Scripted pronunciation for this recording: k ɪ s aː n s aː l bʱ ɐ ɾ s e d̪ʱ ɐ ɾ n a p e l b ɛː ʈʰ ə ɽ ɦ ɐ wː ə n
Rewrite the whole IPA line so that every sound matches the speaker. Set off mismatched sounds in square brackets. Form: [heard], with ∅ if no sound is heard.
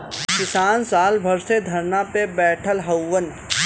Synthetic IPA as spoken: k ɪ s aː n s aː l bʱ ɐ ɾ s e d̪ʱ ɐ ɾ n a p e [∅] b ɛː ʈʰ ə [l] ɦ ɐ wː ə n